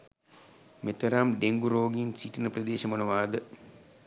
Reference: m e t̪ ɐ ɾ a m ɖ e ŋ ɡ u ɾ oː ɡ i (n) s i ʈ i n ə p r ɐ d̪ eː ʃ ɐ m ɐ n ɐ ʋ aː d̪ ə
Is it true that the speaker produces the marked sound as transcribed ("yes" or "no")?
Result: yes